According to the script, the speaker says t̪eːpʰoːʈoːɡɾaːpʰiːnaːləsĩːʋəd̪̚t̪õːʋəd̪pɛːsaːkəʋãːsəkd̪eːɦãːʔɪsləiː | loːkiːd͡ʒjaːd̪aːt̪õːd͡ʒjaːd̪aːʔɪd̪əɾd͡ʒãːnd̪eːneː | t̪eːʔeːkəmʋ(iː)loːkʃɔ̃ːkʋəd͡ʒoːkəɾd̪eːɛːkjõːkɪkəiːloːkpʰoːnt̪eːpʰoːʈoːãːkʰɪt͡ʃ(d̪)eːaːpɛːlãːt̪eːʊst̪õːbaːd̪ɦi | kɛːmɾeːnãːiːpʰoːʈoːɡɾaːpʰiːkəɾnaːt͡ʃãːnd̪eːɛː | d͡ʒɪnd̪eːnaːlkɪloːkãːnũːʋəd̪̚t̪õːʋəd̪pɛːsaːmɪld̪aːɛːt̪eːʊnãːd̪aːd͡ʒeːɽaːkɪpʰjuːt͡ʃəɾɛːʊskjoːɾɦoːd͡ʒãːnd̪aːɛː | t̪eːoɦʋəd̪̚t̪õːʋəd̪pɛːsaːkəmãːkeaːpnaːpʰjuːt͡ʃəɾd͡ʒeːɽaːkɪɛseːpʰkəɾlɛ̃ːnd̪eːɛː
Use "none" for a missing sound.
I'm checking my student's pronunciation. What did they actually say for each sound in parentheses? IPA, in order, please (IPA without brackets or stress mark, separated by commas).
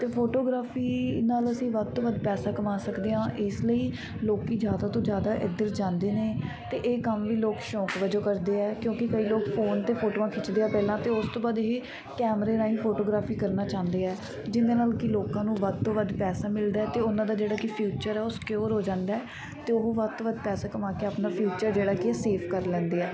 iː, d̪